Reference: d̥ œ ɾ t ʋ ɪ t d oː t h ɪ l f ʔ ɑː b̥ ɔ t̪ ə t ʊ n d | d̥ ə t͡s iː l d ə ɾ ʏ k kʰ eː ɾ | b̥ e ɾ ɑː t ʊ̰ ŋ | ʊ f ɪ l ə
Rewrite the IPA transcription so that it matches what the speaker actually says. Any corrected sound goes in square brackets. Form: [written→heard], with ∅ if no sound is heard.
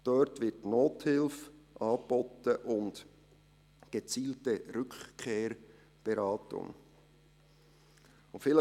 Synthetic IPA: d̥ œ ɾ t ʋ ɪ t [d→n] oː t h ɪ l f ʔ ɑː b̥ ɔ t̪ ə [t→ʔ] ʊ n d | [d̥→ɡ̥] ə t͡s iː l [d→t] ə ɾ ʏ k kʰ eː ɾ | b̥ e ɾ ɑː t ʊ̰ ŋ | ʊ f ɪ l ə